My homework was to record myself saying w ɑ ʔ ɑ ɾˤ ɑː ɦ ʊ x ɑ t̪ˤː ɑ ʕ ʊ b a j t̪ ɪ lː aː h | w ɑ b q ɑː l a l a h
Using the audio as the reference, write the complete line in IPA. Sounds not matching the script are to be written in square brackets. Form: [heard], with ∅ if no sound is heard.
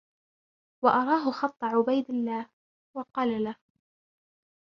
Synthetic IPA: w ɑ ʔ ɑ ɾˤ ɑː ɦ ʊ x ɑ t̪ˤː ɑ ʕ ʊ b a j [d̪] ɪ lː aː h | w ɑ [∅] q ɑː l a l a h